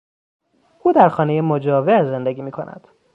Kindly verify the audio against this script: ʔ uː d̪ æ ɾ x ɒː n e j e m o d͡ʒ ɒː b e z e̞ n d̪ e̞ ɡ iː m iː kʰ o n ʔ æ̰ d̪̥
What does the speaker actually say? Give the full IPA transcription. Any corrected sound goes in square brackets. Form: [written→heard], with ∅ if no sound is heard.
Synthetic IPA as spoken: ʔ uː d̪ æ ɾ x ɒː n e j e m o d͡ʒ ɒː [b→v] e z e̞ n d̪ e̞ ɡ iː m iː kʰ o n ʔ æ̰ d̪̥

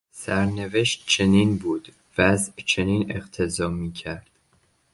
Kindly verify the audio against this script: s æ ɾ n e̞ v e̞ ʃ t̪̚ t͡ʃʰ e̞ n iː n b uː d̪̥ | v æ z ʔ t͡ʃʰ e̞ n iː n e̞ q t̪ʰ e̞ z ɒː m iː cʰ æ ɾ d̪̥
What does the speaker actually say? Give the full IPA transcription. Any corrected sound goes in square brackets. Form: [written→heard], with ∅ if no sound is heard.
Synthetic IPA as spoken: s æ ɾ n e̞ v e̞ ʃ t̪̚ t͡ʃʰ e̞ n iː n b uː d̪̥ | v æ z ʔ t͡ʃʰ e̞ n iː n e̞ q t̪ʰ e̞ z ɒː m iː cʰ æ ɾ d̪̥

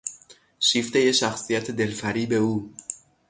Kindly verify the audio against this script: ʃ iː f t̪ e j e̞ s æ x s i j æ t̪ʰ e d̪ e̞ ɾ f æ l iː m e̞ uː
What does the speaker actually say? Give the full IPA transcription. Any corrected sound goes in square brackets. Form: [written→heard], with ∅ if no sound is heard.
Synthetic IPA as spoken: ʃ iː f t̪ e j e̞ [s→ʃ] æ x s i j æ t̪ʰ e d̪ e̞ [ɾ→l] f æ [l→ɾ] iː [m→b] e̞ uː

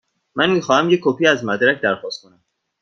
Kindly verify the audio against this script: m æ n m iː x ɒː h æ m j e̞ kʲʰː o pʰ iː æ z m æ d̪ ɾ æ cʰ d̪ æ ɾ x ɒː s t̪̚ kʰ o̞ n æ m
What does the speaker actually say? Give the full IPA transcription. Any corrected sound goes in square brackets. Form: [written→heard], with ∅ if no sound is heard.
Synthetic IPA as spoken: m æ n m iː x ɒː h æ m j e̞ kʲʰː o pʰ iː æ z m æ d̪ ɾ æ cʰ d̪ æ ɾ x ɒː s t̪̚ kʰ o̞ n æ m

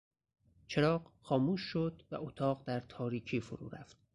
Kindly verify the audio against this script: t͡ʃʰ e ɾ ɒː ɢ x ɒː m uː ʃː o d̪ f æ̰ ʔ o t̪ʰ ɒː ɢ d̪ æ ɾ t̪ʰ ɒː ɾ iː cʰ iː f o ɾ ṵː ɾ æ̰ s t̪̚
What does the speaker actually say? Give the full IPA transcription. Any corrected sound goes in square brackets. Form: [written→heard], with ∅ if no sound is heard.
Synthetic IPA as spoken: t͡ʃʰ e ɾ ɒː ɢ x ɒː m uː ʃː o d̪ [f→v] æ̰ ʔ o t̪ʰ ɒː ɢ d̪ æ ɾ t̪ʰ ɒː ɾ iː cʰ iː f o ɾ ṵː ɾ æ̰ [s→f] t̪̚

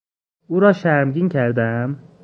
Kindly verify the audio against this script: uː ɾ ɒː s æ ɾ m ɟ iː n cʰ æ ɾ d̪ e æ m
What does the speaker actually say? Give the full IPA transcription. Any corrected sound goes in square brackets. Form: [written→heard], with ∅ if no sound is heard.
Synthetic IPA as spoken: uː ɾ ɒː [s→ʃ] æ ɾ m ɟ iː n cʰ æ ɾ d̪ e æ m

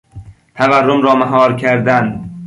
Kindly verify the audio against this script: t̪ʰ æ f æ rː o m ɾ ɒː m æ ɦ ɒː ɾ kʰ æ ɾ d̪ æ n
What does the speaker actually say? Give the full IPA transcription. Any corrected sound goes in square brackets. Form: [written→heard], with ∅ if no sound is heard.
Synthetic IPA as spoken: t̪ʰ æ [f→v] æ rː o m ɾ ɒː m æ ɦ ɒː ɾ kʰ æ ɾ d̪ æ n

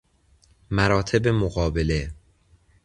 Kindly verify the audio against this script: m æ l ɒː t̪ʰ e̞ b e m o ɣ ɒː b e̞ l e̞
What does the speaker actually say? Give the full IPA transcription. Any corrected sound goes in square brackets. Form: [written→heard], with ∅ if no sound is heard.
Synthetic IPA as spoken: m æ [l→ɾ] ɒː t̪ʰ e̞ b e m o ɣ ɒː b e̞ l e̞

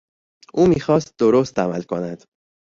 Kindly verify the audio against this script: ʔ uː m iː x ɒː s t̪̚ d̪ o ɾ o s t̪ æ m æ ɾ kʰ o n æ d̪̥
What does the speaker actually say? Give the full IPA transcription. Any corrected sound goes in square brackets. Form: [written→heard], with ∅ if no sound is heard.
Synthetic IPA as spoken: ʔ uː m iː x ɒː s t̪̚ d̪ o ɾ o s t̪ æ m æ [ɾ→l] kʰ o n æ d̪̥

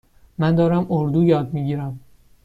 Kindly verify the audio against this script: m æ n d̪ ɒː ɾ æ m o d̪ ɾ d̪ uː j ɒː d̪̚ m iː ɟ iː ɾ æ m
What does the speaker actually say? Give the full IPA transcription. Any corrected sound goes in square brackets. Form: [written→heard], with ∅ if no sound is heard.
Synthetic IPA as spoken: m æ n d̪ ɒː ɾ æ m o [d̪→∅] ɾ d̪ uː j ɒː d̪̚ m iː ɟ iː ɾ æ m

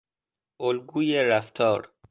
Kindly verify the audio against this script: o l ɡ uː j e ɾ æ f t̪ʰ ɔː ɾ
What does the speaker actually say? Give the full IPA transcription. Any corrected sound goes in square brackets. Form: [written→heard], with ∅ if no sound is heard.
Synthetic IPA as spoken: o l ɡ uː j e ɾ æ f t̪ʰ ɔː ɾ

